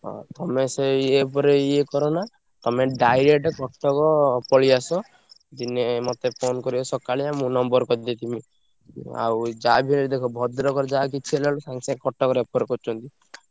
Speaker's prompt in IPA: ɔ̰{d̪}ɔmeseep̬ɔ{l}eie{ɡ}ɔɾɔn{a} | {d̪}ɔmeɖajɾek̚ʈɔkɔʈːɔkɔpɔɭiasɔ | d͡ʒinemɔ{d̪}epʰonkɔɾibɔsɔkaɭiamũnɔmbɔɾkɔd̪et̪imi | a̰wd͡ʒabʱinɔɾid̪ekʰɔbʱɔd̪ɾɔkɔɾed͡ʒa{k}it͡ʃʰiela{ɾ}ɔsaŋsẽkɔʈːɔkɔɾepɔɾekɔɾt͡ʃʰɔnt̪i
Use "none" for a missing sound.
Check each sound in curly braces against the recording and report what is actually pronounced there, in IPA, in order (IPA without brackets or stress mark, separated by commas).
t̪, ɾ, k, a, t̪, t̪, k, l